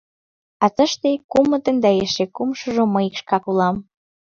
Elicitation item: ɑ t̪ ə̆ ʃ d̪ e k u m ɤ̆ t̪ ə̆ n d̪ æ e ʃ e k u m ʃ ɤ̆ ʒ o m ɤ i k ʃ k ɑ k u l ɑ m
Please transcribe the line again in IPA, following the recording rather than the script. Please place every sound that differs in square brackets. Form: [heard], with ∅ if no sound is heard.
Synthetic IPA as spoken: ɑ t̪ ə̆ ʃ [t̪] e k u m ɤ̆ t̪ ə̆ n d̪ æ e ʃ e k u m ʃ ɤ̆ ʒ o m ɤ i k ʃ k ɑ k u l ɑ m